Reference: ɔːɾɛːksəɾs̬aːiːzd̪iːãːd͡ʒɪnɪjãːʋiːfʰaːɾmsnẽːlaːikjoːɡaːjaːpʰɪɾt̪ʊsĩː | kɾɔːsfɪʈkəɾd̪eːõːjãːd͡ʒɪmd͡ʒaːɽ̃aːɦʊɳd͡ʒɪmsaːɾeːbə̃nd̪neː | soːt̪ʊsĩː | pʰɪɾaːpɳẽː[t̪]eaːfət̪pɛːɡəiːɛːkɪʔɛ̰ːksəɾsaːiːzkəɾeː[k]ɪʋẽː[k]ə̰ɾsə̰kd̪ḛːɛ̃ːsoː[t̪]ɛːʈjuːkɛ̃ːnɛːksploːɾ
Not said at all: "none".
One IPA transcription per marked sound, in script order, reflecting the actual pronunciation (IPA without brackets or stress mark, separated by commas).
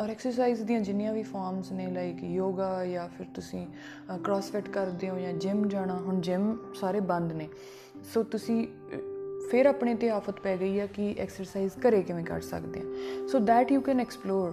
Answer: t̪, k, k, d̪